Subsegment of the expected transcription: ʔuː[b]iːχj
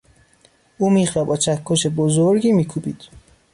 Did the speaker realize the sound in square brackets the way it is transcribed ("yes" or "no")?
no